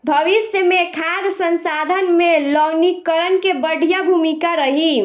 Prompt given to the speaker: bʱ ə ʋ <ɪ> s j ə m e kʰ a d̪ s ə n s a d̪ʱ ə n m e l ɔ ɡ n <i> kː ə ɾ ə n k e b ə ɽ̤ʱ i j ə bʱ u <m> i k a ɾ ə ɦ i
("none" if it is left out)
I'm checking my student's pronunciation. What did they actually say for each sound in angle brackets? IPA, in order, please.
i, i, m

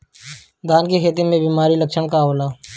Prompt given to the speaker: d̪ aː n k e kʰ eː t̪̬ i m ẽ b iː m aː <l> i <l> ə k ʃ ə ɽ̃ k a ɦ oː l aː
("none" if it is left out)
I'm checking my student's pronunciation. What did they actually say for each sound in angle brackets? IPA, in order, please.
ɾ, l

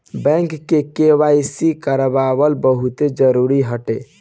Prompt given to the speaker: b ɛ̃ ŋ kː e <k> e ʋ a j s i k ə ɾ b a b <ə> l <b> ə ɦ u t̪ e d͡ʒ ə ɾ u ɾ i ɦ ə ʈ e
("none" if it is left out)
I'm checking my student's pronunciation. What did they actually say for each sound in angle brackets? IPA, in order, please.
k, ə, b

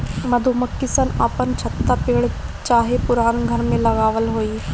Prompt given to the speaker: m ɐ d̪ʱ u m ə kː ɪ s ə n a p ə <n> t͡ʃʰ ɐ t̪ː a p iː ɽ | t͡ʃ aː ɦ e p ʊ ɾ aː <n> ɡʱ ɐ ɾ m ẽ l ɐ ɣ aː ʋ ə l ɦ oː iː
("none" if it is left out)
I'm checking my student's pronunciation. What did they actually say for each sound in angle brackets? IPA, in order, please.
n, n

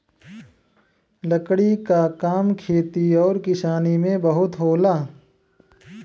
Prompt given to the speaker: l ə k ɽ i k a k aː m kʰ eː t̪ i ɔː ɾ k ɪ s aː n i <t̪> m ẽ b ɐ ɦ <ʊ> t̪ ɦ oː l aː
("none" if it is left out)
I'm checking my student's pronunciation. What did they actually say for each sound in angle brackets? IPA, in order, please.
none, ʊ

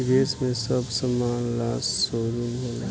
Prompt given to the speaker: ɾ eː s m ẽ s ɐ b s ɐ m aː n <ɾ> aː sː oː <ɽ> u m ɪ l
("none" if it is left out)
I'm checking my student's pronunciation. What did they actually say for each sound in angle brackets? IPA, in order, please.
l, ɾ

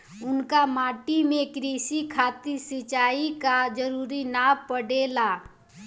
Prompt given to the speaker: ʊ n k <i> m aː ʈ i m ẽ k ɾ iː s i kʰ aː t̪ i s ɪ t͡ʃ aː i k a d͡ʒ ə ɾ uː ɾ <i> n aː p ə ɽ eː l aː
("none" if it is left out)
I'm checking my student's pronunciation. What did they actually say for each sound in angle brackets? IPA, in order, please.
a, i

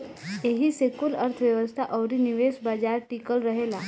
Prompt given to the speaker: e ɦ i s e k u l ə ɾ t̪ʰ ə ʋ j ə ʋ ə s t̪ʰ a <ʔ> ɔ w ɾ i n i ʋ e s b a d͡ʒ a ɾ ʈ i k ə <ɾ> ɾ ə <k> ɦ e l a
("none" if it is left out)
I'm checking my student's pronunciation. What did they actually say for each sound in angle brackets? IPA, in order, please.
ʔ, l, none

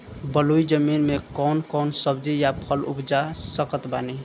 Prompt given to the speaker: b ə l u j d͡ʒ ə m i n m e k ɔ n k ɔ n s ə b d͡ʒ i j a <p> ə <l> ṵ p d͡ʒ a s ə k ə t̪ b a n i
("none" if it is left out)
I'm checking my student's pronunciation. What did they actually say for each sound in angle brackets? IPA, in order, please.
pʰ, l

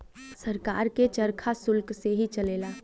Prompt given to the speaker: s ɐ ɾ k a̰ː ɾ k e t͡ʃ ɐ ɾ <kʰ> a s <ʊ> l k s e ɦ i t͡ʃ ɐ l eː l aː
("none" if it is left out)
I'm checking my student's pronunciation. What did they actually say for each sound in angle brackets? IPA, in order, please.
kʰ, ʊ

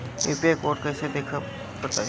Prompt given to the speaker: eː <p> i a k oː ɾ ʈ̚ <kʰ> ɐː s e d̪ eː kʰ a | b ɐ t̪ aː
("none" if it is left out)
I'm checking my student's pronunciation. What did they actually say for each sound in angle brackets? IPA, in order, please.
p, k

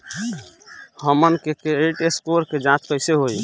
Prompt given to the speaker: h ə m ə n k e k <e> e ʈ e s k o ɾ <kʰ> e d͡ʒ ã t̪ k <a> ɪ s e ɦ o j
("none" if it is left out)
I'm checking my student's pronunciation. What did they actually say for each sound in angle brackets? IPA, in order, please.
e, k, ə

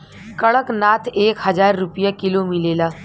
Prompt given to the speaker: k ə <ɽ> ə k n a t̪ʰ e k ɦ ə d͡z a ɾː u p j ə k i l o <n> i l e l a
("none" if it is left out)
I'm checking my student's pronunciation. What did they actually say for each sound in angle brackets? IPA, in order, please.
ɭ, m

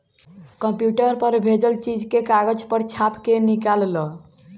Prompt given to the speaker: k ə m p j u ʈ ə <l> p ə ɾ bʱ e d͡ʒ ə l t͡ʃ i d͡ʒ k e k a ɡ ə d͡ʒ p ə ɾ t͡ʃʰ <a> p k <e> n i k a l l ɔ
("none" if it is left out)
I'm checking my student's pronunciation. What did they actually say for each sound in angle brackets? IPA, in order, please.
ɾ, a, e

